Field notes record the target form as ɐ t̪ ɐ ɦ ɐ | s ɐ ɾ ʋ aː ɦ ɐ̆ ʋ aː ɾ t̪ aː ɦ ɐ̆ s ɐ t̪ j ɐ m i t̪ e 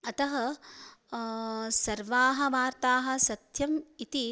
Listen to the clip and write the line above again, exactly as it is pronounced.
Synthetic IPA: ɐ t̪ ɐ ɦ ɐ | s ɐ ɾ ʋ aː ɦ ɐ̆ ʋ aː ɾ t̪ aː ɦ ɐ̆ s ɐ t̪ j ɐ m i t̪ i